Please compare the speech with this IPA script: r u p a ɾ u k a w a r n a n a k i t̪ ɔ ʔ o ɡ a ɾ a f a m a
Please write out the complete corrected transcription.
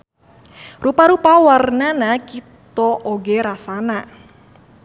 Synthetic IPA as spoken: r u p a ɾ u p a w a r n a n a k i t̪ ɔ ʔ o ɡ e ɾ a s a n a

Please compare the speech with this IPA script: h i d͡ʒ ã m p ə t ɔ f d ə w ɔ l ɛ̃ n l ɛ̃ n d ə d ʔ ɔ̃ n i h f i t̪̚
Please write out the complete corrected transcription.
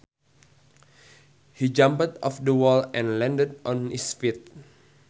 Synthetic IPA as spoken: h i d͡ʒ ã m p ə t ɔ f d ə w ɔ l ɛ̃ n l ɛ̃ n d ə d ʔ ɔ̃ n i s f i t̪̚

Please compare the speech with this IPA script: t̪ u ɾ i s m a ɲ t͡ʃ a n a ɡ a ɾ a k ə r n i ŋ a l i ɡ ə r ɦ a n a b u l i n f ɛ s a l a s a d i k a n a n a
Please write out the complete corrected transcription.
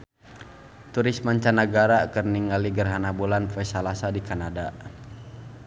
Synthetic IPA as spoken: t̪ u ɾ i s m a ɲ t͡ʃ a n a ɡ a ɾ a k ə r n i ŋ a l i ɡ ə r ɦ a n a b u l a n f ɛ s a l a s a d i k a n a d a

